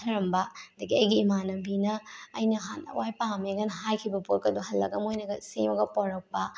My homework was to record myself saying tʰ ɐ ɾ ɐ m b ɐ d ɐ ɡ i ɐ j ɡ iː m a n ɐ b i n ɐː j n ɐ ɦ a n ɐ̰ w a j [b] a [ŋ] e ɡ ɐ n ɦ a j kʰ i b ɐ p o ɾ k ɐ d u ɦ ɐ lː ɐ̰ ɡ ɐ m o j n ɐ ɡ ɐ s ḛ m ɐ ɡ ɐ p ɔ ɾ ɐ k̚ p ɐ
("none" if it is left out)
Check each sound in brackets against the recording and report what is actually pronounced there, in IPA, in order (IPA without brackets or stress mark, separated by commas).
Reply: p, m